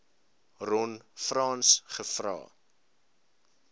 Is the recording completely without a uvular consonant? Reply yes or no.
no